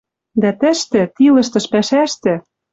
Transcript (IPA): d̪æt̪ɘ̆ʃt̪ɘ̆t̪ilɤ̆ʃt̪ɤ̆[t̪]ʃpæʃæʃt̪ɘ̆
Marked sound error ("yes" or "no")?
yes